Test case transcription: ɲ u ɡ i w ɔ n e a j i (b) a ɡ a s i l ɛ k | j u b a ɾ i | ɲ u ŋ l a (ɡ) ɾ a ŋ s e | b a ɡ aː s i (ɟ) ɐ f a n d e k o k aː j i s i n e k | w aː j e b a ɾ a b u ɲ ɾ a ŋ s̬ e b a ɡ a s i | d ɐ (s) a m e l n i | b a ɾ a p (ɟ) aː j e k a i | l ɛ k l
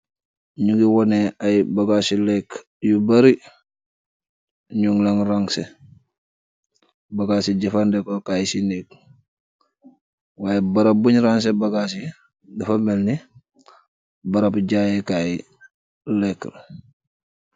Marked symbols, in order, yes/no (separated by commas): yes, no, yes, no, yes